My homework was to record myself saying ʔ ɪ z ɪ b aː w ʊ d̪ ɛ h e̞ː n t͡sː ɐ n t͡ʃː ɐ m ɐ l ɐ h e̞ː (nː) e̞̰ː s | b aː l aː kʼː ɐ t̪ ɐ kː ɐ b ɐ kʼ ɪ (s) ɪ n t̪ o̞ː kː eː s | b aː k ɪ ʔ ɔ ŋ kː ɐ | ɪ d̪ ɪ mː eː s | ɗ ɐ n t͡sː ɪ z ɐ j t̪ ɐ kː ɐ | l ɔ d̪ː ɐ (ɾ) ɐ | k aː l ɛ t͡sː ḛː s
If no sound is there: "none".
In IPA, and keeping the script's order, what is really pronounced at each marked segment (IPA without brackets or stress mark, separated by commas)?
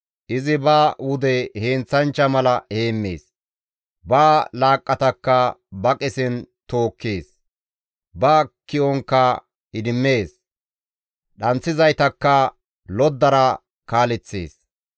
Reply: mː, s, ɾ